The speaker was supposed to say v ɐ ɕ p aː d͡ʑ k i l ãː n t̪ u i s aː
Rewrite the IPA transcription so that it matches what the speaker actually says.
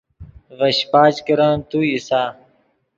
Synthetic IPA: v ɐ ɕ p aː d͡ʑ k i ɾ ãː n t̪ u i s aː